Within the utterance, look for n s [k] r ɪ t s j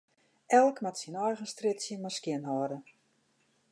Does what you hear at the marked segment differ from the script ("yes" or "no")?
yes